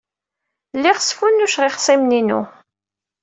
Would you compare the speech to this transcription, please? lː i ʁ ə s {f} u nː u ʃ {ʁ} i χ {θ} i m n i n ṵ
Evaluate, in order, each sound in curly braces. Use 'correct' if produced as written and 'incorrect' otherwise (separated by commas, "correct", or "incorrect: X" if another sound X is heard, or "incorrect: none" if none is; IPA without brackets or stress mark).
correct, correct, incorrect: s